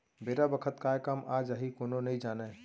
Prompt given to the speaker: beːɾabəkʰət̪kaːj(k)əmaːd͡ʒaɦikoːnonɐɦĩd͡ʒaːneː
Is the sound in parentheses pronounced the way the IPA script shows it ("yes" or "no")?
yes